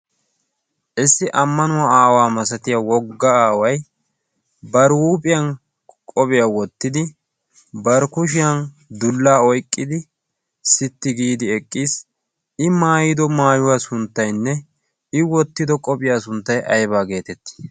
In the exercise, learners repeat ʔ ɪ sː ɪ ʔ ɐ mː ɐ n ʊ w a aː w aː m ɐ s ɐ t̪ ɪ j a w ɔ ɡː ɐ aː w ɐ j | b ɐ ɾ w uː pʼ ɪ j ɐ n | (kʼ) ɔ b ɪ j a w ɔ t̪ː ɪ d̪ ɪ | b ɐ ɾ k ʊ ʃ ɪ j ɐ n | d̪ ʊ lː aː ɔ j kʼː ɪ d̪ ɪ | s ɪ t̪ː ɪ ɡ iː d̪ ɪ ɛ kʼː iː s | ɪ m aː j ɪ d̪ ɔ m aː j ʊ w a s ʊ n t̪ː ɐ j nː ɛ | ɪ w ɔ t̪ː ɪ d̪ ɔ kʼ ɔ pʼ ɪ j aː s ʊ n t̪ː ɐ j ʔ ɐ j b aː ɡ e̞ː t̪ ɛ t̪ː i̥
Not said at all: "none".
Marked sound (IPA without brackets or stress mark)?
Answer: kʼ